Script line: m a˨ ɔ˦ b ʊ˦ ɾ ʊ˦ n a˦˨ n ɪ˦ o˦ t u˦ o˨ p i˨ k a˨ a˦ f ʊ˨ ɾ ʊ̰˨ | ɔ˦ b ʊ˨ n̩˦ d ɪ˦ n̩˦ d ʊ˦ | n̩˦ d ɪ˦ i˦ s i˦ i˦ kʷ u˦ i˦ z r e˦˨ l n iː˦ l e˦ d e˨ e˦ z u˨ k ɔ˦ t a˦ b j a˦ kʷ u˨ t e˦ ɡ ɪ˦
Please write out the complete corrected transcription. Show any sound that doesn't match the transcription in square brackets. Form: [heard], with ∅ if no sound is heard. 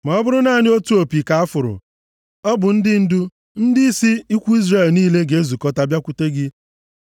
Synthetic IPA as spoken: m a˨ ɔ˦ b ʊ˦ ɾ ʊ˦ n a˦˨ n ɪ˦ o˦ t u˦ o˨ p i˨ k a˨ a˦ f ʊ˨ ɾ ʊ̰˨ | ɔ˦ b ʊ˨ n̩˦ d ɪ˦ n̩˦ d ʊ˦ | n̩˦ d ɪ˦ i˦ s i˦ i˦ kʷ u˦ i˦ z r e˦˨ l n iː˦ l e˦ [ɡ] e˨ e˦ z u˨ k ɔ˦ t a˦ b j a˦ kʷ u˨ t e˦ ɡ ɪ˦